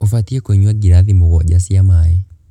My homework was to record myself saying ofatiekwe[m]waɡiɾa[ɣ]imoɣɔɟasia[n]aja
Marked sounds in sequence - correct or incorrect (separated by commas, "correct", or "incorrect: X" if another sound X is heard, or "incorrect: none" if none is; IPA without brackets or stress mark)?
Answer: incorrect: ɲ, incorrect: ð, incorrect: m